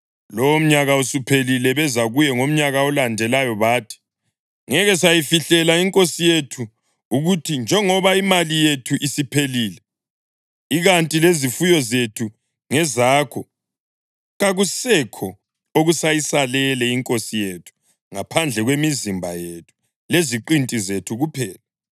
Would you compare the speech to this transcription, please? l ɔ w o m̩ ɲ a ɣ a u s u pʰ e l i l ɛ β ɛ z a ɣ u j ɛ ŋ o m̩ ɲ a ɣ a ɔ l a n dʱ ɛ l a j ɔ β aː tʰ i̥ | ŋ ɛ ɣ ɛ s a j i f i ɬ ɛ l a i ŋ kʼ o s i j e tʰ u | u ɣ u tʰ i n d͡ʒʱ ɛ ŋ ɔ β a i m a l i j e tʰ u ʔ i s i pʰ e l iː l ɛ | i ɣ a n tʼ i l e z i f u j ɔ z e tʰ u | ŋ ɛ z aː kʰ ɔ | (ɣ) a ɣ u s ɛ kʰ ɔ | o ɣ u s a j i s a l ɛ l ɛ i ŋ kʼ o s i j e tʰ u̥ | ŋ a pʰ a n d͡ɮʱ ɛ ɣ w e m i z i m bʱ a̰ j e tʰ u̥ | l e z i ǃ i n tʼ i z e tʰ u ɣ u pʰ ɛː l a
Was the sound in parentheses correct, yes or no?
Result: yes